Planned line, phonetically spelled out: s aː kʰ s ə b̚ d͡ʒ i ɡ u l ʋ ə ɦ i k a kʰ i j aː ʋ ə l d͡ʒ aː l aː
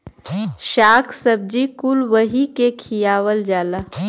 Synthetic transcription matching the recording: ʃ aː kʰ s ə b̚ d͡ʒ i k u l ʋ ə ɦ i k e kʰ i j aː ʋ ə l d͡ʒ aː l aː